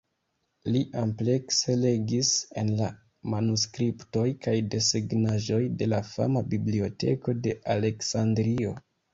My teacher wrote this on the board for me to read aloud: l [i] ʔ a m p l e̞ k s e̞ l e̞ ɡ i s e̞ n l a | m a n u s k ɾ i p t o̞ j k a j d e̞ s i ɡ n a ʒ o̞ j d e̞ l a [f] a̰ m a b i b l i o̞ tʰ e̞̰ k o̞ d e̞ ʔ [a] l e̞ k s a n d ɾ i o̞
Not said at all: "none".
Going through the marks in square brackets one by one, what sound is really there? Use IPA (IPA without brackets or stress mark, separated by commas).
i, f, a